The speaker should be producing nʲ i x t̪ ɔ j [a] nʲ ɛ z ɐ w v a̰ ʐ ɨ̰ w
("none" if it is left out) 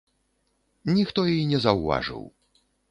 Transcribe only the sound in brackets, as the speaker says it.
i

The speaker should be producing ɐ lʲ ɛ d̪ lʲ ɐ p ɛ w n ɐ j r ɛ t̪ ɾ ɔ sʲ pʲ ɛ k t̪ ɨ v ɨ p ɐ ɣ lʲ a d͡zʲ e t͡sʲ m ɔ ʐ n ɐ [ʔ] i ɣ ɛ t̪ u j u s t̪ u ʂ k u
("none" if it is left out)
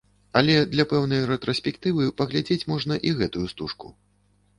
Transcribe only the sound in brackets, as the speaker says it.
ʔ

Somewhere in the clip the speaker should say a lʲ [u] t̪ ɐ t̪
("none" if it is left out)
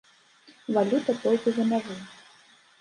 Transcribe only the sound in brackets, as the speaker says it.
u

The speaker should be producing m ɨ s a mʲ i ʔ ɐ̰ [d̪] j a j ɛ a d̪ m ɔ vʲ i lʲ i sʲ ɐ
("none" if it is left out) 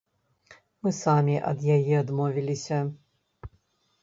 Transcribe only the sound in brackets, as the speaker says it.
d̪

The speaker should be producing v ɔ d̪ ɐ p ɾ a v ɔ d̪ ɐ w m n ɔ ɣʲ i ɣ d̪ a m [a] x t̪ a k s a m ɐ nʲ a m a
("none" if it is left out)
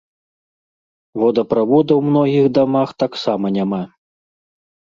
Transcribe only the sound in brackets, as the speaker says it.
a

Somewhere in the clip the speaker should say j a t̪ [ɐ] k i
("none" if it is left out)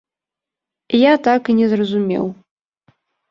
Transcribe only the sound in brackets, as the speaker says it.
a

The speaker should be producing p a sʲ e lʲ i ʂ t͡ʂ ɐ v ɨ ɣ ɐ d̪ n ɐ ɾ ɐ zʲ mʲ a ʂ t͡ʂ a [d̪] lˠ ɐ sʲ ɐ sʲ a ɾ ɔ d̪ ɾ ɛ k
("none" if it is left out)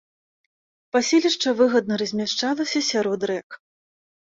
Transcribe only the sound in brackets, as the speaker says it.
none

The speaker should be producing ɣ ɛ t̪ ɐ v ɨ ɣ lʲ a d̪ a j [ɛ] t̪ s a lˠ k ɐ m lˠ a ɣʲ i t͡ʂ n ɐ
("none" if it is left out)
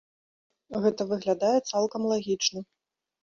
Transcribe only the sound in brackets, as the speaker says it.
ɛ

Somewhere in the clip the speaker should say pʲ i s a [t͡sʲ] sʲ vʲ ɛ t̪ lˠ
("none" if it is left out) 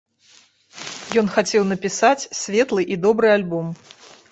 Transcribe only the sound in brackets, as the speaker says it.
t͡sʲ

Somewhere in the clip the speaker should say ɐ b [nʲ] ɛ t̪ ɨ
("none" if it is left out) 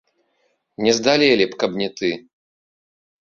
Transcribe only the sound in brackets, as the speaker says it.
nʲ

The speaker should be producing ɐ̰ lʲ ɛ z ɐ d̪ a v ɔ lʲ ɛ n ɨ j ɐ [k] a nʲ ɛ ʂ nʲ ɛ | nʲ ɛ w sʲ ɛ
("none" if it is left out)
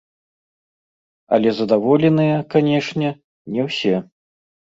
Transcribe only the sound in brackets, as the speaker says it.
k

